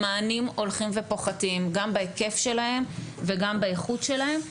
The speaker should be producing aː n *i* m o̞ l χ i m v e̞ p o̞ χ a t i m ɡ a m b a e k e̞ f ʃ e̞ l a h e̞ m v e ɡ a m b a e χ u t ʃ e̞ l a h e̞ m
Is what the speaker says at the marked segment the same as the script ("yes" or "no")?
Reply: yes